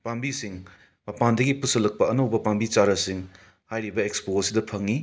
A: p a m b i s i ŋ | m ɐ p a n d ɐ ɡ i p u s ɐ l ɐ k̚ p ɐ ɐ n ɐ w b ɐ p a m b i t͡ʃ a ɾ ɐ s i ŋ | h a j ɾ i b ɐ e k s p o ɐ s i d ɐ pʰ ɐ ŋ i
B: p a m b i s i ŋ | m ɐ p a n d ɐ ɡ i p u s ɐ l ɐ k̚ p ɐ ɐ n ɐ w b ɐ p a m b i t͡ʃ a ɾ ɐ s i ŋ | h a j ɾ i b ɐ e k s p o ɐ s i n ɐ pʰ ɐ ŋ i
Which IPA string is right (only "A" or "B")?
A